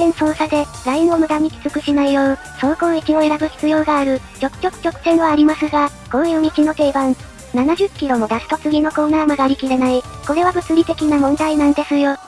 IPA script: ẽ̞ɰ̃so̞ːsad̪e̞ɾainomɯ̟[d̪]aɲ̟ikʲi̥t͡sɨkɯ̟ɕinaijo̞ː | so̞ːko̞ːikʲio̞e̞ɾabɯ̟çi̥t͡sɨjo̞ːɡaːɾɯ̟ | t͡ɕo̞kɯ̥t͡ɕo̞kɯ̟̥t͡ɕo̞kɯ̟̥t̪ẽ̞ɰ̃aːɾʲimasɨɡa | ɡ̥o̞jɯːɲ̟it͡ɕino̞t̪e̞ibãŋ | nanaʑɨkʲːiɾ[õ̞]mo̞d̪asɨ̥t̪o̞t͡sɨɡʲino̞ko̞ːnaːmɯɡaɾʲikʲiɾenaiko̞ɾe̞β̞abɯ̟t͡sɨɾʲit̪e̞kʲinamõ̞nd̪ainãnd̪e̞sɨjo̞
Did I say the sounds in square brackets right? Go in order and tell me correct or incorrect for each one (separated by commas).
correct, incorrect